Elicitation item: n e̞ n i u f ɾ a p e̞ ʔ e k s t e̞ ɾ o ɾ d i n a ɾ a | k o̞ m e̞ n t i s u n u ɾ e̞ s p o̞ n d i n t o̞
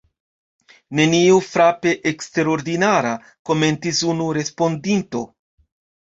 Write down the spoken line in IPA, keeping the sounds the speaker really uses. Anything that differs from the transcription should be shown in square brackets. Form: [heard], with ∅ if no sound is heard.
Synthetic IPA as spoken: n e̞ n i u f ɾ a p e̞ ʔ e k s t e̞ ɾ o ɾ d i n a ɾ a | k o̞ m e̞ n t i s u n u ɾ e̞ s p o̞ n d i n t o̞